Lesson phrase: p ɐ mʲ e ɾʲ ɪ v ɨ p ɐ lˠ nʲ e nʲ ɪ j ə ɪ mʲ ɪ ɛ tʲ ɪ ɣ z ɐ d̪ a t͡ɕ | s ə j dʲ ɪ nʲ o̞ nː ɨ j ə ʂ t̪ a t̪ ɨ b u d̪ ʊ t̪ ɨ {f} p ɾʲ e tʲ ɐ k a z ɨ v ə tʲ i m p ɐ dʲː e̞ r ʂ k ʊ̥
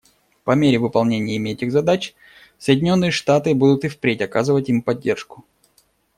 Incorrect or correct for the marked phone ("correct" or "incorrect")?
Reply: correct